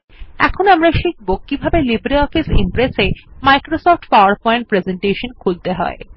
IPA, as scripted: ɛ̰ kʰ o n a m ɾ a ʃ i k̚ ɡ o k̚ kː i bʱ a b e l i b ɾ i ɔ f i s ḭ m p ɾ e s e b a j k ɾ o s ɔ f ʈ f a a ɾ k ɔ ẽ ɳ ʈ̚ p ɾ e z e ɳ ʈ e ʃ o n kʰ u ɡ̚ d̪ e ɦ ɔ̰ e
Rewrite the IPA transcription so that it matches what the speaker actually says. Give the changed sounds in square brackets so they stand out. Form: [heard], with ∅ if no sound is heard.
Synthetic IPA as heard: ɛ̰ kʰ o n a m ɾ a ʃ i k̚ [b] o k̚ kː i bʱ a b e l i b ɾ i ɔ f i s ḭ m p ɾ e s e [m] a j k ɾ o s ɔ f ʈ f a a ɾ [p] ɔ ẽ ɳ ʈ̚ p ɾ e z e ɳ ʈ e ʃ o n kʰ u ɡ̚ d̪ e ɦ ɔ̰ e